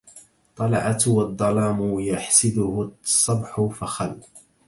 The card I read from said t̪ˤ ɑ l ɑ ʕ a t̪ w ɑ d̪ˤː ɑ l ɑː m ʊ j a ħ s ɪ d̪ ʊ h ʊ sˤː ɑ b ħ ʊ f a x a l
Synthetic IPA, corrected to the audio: t̪ˤ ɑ l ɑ ʕ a t̪ w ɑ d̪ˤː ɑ l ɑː m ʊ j a ħ s ɪ d̪ ʊ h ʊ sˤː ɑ b ħ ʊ f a x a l